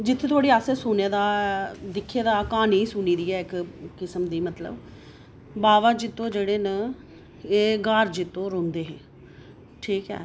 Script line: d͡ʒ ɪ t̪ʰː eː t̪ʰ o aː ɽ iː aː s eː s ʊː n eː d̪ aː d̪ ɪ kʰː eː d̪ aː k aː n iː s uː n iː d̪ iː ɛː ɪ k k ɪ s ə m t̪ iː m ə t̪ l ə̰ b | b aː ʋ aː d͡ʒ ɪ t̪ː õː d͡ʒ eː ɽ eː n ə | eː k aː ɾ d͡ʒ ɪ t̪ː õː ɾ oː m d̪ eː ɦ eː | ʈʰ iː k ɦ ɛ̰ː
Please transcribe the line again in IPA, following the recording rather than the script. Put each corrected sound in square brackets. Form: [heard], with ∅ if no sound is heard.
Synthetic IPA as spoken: d͡ʒ ɪ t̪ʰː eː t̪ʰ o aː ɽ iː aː s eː s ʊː n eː d̪ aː d̪ ɪ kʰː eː d̪ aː k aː n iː s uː n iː d̪ iː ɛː ɪ k k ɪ s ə m [d̪] iː m ə t̪ l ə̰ b | b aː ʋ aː d͡ʒ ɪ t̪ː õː d͡ʒ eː ɽ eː n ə | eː [ɡ] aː ɾ d͡ʒ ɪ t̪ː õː ɾ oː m d̪ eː ɦ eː | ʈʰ iː k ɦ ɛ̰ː